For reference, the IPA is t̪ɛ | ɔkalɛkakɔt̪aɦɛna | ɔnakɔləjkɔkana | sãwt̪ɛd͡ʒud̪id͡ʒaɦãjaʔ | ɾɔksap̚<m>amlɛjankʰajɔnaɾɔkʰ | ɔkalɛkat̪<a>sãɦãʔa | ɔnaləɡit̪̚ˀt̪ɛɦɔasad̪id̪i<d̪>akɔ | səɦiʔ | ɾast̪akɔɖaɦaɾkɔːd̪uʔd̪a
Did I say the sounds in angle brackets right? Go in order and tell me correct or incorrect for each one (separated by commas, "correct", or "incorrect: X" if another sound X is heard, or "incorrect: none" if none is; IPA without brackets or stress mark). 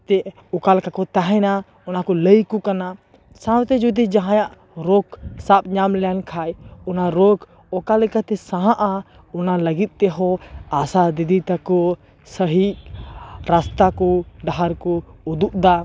incorrect: ɲ, incorrect: ɛ, incorrect: t̪